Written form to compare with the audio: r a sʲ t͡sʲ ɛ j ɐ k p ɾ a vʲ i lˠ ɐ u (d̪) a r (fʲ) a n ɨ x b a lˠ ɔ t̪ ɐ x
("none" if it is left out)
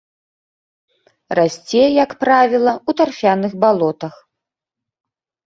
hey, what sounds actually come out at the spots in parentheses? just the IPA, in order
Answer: t̪, fʲ

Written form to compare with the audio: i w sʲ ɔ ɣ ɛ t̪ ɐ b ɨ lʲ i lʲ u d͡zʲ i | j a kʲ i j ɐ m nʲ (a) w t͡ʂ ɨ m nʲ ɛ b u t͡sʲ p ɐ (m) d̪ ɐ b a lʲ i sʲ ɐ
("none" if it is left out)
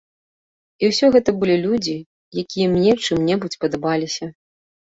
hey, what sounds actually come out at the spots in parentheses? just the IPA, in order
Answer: ɛ, none

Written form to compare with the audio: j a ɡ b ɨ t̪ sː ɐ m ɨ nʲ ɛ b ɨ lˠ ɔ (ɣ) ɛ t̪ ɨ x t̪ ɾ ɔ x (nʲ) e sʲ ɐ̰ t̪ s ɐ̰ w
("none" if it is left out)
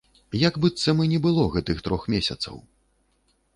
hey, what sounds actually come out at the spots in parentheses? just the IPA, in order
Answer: ɣ, mʲ

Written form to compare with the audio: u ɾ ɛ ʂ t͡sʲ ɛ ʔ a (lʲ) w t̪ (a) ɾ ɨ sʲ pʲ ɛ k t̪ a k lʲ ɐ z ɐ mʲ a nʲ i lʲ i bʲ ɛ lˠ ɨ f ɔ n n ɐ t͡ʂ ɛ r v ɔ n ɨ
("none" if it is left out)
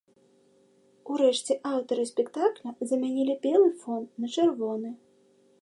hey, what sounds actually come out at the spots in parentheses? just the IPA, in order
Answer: none, ɐ

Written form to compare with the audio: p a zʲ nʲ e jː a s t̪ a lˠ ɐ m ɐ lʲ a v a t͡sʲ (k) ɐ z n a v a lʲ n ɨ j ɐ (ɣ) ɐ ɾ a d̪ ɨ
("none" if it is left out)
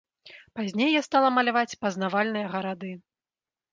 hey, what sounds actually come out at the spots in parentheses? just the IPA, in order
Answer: p, ɣ

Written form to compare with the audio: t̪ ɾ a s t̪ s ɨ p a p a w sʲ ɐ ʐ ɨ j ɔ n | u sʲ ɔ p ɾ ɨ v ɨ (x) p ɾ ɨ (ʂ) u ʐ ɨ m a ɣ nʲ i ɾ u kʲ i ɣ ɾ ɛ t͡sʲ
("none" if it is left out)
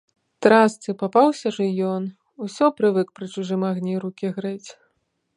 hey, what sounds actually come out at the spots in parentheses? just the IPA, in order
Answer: k, t͡ʂ

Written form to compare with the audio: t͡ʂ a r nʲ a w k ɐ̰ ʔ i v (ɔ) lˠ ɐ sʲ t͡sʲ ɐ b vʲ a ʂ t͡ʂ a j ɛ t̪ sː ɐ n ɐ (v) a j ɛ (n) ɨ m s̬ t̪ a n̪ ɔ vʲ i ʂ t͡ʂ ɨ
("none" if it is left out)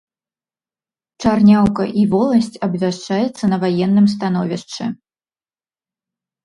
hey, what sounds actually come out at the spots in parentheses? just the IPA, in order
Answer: ɔ, v, nː

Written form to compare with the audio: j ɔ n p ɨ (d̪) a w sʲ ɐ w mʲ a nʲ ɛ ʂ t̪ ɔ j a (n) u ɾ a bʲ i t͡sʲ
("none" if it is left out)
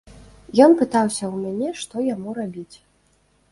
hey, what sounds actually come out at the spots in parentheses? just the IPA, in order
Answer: t̪, m

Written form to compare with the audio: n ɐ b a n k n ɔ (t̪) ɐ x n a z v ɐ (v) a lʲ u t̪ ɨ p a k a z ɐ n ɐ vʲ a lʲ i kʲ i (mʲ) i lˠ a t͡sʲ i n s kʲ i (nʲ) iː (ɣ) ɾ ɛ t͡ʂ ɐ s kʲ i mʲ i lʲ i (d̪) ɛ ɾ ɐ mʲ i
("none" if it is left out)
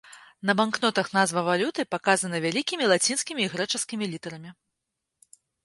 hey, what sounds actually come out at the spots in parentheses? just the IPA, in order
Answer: t̪, v, mʲ, mʲ, ɣ, t̪

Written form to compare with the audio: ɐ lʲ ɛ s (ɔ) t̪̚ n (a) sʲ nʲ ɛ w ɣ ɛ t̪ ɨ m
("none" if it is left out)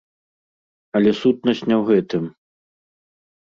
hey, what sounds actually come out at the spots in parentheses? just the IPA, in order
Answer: u, ɐ

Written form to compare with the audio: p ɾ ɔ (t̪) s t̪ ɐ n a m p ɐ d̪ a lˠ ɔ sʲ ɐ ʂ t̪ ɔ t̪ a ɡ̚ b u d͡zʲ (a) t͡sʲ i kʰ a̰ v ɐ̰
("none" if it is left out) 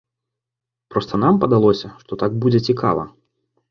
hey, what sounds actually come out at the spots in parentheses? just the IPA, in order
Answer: none, ɛ

